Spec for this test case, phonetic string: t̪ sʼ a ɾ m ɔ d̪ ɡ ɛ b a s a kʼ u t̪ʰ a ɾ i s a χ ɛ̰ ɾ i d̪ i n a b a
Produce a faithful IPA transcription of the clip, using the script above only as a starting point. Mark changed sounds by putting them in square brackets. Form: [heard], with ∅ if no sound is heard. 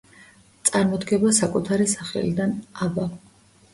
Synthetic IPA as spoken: t̪ sʼ a ɾ m ɔ d̪ ɡ ɛ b a s a kʼ u t̪ʰ a ɾ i s a χ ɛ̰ [l] i d̪ [a] n a b a